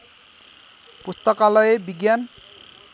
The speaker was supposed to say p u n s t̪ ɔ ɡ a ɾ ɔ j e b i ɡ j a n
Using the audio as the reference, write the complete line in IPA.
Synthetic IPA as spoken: p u s t̪ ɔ k a l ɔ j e b i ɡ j a n